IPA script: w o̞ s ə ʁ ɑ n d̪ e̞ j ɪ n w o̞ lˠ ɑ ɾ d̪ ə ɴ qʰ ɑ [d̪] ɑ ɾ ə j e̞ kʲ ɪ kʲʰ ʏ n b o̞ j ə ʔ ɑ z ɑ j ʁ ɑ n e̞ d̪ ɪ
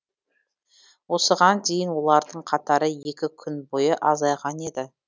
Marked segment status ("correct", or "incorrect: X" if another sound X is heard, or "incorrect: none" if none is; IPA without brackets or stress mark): incorrect: t̪